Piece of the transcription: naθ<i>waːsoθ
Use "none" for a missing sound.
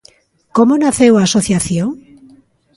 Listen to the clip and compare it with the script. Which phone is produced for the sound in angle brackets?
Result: e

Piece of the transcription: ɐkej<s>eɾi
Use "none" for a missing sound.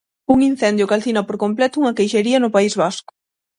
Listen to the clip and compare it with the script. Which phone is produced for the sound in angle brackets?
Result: ʃ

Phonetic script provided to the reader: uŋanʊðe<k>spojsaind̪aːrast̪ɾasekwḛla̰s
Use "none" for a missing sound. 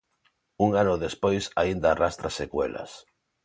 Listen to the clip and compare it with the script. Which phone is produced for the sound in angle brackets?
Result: none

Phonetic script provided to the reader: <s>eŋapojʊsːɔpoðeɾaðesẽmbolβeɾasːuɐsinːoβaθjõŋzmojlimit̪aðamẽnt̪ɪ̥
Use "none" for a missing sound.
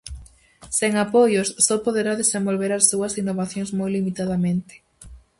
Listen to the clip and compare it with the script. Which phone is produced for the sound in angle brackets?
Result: s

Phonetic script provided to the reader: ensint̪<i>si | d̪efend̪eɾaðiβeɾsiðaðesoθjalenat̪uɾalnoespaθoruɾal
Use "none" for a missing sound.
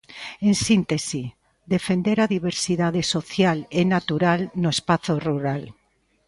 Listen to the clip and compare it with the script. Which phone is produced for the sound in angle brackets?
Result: e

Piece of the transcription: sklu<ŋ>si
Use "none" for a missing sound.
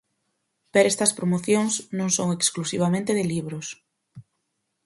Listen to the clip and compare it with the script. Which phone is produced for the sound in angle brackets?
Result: none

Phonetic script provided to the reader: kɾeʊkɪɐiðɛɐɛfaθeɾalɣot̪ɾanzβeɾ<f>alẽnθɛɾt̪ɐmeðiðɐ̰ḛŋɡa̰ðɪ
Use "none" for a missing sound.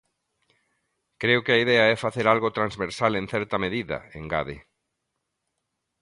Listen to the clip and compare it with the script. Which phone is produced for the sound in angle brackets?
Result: s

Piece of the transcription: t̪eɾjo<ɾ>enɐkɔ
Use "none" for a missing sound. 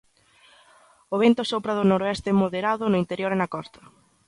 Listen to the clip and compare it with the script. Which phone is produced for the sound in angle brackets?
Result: ɾ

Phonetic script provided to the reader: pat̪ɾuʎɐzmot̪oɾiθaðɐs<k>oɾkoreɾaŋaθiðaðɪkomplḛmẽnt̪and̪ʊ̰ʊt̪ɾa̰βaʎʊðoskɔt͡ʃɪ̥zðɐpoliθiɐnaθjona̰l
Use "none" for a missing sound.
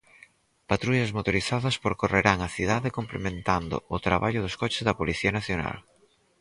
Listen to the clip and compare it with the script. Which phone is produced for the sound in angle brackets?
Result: p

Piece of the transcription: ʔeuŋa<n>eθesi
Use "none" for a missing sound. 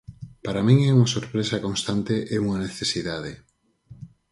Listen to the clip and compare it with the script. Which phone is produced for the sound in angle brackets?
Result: n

